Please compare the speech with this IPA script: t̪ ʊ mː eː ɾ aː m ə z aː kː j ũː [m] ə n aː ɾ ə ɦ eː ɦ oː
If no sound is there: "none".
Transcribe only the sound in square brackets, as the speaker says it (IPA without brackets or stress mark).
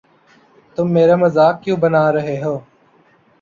b